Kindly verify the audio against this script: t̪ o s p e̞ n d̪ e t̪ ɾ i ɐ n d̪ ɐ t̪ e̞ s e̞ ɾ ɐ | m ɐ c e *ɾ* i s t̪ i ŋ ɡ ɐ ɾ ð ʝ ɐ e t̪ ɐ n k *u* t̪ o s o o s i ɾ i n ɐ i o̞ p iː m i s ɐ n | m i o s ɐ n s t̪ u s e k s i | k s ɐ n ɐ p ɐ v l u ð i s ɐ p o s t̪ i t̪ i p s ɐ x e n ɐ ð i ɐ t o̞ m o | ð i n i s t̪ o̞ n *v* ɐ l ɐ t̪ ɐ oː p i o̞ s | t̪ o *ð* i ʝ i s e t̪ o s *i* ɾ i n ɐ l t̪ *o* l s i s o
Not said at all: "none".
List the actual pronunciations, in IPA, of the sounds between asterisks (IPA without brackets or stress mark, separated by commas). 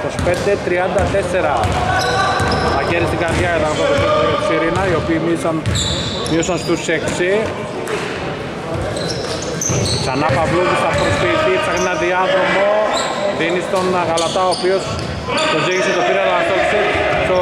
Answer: ɾ, o, ɣ, z, i, o